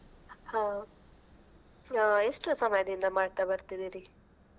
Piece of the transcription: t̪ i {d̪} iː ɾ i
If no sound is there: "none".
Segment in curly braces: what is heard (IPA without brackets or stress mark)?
d̪